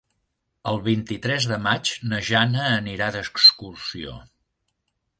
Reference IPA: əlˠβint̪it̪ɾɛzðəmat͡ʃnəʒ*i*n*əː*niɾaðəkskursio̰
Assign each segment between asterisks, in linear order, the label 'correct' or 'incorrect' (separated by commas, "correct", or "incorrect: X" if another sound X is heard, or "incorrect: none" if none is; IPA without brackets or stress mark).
incorrect: a, correct